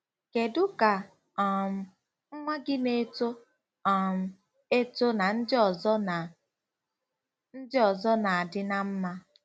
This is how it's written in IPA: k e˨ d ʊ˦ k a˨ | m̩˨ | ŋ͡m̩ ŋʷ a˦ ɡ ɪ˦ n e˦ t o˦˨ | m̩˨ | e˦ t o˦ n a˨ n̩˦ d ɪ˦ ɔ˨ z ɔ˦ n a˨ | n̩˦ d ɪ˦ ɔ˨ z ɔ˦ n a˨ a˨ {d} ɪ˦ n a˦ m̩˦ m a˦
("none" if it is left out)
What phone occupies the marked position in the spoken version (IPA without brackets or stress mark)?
d